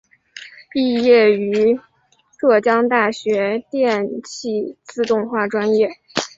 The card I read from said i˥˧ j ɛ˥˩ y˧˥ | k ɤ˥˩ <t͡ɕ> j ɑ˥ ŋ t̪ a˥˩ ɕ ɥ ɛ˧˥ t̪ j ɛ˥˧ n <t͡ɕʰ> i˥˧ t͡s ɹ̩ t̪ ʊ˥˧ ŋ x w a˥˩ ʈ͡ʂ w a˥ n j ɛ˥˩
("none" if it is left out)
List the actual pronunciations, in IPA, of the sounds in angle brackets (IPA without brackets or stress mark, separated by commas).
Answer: t͡ɕ, t͡ɕʰ